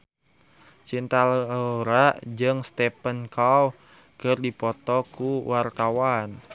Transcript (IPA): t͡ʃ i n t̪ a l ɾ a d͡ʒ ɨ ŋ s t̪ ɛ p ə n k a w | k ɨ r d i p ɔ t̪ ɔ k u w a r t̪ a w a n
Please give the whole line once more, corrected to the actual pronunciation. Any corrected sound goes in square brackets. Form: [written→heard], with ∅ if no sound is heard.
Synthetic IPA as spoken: t͡ʃ i n t̪ a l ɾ a d͡ʒ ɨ ŋ s t̪ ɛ p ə n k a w | k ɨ r d i p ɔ t̪ ɔ k u w a r t̪ a w a n